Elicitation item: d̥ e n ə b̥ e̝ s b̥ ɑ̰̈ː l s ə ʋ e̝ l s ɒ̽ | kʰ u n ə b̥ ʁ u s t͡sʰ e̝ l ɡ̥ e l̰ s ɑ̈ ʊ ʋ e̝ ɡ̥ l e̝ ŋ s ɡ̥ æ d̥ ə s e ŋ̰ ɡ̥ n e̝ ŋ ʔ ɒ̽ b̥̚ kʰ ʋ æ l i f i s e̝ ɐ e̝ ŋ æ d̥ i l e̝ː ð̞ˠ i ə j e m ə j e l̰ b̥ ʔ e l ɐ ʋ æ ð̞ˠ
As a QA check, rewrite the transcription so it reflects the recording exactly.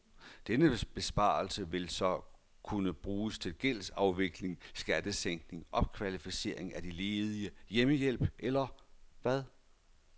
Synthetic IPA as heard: d̥ e n ə b̥ e̝ s b̥ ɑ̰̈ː l s ə ʋ e̝ l s ɒ̽ | kʰ u n ə b̥ ʁ uː s t͡sʰ e̝ l ɡ̥ e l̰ s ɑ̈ ʊ ʋ e̝ ɡ̥ l e̝ ŋ s ɡ̥ æ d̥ ə s e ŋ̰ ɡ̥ n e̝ ŋ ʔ ɒ̽ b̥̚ kʰ ʋ æ l i f i s e̝ ɐ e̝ ŋ æ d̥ i l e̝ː ð̞ˠ i ə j e m ə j e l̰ b̥ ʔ e l ɐ ʋ æ ð̞ˠ

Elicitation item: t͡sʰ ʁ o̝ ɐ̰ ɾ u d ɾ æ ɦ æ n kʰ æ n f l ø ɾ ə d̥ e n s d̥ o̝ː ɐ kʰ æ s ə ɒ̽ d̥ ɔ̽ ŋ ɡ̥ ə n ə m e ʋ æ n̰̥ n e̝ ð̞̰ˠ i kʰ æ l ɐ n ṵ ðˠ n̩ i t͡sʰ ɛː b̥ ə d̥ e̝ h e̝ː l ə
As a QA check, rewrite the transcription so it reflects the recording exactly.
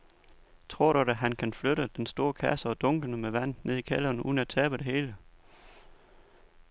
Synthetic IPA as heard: t͡sʰ ʁ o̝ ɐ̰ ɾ u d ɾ æ ɦ æ n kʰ æ n f l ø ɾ ə d̥ e n s d̥ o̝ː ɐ kʰ æ s ə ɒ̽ d̥ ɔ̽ ŋ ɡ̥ ə n ə m e ʋ æ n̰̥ n e̝ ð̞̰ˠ i kʰ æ l ɐ n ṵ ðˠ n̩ æ t͡sʰ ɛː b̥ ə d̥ e̝ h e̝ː l ə

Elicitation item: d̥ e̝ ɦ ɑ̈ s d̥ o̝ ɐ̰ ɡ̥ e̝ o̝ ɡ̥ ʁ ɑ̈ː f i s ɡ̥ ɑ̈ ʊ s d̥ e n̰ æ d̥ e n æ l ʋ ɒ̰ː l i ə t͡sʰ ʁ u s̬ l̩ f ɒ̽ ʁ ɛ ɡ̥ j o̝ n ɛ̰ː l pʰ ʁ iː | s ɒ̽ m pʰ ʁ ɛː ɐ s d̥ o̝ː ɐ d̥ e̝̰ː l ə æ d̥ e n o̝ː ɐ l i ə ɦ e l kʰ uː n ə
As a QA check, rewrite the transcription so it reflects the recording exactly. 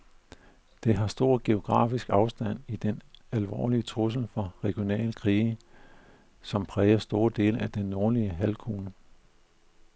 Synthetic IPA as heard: d̥ e̝ ɦ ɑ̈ s d̥ o̝ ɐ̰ ɡ̥ e̝ o̝ ɡ̥ ʁ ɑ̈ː f i s ɡ̥ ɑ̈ ʊ s d̥ æ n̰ i d̥ e n æ l ʋ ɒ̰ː l i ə t͡sʰ ʁ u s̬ l̩ f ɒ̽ ʁ ɛ ɡ̥ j o̝ n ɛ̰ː l kʰ ʁ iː | s ɒ̽ m pʰ ʁ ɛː ɐ s d̥ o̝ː ɐ d̥ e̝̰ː l ə æ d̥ e nː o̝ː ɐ l i ə ɦ æ l kʰ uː n ə

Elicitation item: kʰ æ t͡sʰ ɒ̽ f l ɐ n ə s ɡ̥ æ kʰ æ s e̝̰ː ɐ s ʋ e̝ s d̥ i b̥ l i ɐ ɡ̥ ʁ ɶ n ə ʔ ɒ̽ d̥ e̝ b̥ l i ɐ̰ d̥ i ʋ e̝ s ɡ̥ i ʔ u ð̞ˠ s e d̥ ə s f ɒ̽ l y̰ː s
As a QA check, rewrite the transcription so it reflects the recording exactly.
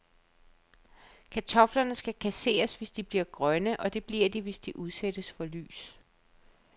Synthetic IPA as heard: kʰ æ t͡sʰ ɒ̽ f l ɐ n ə s ɡ̥ æ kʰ æ s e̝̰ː ɐ s ʋ e̝ s d̥ i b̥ l i ɐ ɡ̥ ʁ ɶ n ə ʔ ɒ̽ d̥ e̝ b̥ l i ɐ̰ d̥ i ʋ e̝ s d̥ i ʔ u ð̞ˠ s e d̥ ə s f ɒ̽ l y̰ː s

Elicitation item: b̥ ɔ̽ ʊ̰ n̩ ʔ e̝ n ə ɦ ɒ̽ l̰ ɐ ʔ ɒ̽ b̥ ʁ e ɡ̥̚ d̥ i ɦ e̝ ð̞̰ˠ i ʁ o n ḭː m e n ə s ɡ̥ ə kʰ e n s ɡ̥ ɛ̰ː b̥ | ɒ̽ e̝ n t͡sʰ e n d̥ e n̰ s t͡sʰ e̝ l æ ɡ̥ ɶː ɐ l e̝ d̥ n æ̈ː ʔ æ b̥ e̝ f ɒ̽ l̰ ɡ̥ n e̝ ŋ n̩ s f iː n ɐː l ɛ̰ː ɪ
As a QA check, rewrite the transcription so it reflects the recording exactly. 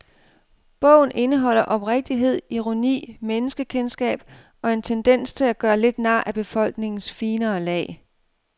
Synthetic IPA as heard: b̥ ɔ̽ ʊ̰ n̩ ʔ e̝ n ə ɦ ɒ̽ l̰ ɐ ʔ ɒ̽ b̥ ʁ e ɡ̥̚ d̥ i ɦ e̝ ð̞̰ˠ i ʁ o n ḭː m e n ə s ɡ̥ ə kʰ e n s ɡ̥ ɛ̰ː b̥ | ɒ̽ e̝ n t͡sʰ e n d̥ e n̰ s t͡sʰ e̝ l æ ɡ̥ ɶː ɐ l e̝ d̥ n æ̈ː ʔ æ b̥ e̝ f ɒ̽ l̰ ɡ̥ n e̝ ŋ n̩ s f iː n ɐː l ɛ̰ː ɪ

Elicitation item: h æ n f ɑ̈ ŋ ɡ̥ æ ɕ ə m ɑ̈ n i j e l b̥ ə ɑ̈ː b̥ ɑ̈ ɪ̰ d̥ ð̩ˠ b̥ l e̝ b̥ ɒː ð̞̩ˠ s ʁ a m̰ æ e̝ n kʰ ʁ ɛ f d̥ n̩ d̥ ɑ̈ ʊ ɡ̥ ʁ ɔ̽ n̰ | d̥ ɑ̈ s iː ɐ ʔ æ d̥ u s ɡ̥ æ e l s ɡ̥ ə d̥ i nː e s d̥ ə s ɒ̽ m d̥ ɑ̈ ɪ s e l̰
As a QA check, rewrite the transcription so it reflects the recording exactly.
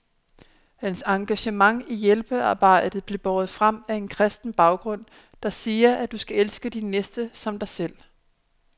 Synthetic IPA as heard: h æ n s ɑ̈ ŋ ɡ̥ æ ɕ ə m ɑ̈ ŋ i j e l b̥ ə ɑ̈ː b̥ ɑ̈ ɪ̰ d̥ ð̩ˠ b̥ l e̝ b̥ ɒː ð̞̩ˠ f ʁ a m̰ æ e̝ n kʰ ʁ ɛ s d̥ n̩ b̥ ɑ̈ ʊ ɡ̥ ʁ ɔ̽ n̰ | d̥ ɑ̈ s iː ɐ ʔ æ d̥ u s ɡ̥ æ e l s ɡ̥ ə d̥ i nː e s d̥ ə s ɒ̽ m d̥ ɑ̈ ɪ s e l̰

